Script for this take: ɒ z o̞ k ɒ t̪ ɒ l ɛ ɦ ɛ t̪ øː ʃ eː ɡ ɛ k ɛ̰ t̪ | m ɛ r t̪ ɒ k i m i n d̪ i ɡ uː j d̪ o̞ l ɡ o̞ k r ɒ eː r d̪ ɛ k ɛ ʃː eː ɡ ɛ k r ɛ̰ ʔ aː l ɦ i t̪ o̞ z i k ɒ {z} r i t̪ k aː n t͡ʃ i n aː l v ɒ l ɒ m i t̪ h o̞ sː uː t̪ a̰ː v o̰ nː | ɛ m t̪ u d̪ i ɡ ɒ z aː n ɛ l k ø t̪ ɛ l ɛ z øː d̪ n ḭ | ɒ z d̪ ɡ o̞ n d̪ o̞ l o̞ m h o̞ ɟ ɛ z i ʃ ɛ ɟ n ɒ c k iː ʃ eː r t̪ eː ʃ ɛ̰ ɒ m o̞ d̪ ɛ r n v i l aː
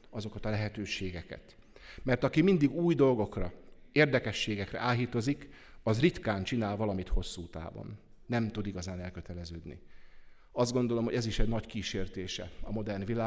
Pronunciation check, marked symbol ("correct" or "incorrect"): correct